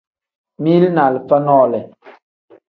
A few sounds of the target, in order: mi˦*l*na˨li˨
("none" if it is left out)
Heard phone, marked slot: l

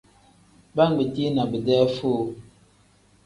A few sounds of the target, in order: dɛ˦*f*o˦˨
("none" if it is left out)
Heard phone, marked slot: f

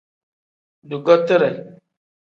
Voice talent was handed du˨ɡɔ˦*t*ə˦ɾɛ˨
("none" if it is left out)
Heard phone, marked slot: t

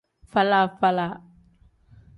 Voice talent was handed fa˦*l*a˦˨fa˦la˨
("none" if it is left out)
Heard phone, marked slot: l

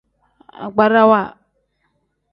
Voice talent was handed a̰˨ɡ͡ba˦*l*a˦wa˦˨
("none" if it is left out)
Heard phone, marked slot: ɾ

